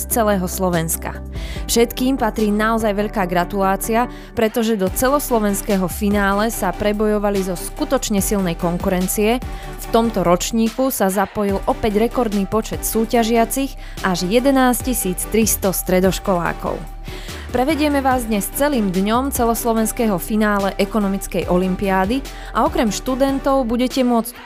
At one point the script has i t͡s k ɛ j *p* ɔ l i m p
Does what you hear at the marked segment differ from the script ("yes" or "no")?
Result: yes